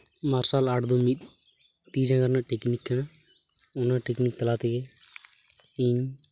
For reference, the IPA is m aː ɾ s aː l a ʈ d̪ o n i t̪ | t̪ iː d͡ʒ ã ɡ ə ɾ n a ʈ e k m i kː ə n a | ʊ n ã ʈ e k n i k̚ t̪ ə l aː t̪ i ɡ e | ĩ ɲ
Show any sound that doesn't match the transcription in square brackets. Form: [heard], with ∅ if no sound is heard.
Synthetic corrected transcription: m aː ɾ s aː l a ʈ d̪ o [m] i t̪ | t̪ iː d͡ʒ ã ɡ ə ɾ n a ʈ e k [n] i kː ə n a | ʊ n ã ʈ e k n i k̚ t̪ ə l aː t̪ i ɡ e | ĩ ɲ